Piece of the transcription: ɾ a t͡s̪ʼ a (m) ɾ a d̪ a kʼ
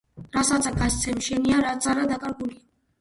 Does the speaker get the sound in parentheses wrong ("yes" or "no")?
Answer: yes